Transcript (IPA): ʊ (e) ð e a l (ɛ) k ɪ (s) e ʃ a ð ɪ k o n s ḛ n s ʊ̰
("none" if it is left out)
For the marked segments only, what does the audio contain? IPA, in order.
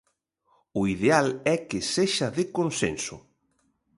i, ɛ, s

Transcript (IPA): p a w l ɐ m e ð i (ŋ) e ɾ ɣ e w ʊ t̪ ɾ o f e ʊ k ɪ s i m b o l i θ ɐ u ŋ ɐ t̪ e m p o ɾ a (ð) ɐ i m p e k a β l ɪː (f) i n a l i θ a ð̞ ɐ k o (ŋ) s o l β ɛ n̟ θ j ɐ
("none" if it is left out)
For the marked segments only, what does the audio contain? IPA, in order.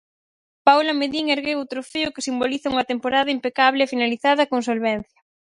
ŋ, ð, f, ŋ

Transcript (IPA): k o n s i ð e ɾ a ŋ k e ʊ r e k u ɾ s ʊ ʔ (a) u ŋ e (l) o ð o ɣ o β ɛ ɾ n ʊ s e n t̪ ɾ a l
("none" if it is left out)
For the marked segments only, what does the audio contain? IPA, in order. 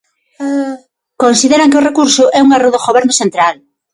ɛ, r

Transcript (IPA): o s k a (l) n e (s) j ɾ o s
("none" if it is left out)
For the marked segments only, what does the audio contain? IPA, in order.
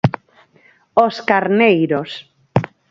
ɾ, none

